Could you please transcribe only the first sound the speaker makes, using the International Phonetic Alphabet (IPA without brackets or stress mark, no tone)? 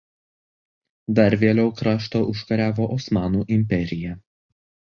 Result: d̪